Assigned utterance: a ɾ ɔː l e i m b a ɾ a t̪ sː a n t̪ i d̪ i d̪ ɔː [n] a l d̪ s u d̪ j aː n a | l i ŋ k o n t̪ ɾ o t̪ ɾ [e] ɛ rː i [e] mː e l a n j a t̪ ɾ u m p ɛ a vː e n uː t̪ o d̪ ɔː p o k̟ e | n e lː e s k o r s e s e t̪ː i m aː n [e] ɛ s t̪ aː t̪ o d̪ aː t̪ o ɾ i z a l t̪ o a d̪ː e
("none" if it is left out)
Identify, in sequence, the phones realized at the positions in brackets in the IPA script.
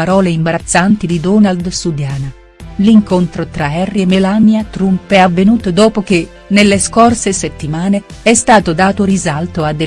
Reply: n, a, e, e

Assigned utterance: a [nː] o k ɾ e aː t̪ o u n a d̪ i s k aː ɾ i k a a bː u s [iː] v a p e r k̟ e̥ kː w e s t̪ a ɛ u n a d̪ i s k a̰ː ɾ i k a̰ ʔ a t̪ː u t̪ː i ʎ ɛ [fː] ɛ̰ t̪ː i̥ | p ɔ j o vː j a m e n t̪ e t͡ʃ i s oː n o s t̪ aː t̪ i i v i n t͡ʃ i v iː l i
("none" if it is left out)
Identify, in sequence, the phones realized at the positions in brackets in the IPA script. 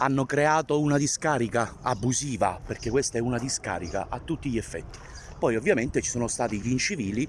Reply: nː, iː, fː

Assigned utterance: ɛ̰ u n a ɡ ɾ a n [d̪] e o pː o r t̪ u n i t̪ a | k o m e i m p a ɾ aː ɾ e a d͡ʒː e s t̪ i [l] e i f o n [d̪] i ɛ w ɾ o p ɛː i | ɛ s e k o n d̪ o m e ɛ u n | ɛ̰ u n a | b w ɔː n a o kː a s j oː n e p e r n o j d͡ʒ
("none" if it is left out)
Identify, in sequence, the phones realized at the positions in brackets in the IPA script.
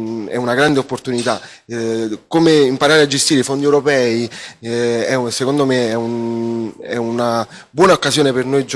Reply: d̪, ɾ, d̪

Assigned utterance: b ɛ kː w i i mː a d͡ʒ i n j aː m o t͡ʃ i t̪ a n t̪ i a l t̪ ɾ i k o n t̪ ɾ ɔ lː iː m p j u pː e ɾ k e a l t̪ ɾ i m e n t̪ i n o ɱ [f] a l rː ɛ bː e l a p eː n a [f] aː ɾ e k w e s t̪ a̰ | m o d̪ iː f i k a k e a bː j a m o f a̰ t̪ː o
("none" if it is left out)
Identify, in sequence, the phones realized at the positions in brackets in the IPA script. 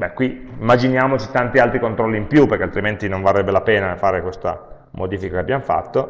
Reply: v, f

